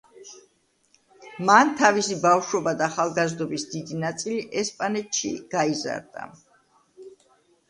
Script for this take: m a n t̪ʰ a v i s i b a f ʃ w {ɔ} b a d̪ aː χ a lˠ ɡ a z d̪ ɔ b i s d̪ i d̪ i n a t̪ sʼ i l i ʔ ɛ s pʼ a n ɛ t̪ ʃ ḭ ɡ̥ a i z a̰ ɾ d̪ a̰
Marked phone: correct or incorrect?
correct